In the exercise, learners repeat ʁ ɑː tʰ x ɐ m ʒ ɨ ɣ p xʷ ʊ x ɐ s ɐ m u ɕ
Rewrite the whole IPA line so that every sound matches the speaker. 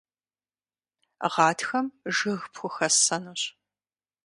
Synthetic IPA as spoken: ʁ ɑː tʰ x ɐ m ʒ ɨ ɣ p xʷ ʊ x ɐ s ɐ n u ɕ